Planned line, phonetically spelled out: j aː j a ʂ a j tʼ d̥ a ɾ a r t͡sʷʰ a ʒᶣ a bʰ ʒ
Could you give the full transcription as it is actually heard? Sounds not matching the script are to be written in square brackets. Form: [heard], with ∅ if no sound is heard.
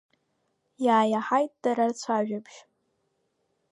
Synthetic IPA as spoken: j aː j a [ħ] a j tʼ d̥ a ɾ a r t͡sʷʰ a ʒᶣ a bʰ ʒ